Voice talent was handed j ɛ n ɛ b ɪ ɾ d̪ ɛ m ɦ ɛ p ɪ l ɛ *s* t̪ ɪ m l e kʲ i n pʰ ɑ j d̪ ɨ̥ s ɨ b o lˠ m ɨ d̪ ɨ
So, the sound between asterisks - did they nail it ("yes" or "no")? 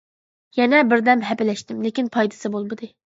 no